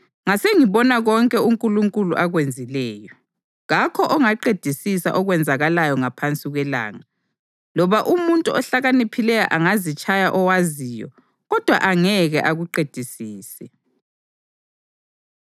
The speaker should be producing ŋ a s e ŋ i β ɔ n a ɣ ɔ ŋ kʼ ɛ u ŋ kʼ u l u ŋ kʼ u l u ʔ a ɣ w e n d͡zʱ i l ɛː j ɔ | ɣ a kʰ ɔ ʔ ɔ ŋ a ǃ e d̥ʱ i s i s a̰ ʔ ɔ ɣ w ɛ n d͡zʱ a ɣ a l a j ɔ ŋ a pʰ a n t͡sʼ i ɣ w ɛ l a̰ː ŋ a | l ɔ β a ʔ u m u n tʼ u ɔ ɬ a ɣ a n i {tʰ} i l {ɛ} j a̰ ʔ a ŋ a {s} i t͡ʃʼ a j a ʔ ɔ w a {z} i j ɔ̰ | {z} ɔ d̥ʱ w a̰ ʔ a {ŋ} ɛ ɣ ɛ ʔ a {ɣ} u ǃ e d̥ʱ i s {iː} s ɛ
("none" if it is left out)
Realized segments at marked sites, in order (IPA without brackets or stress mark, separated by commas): pʰ, ɛ, z, z, ɣ, ŋ, ɣ, iː